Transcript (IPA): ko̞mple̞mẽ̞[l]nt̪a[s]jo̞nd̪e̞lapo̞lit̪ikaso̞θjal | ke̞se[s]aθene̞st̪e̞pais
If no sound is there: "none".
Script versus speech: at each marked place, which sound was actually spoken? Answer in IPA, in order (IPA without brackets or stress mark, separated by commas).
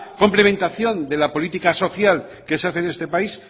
none, θ, none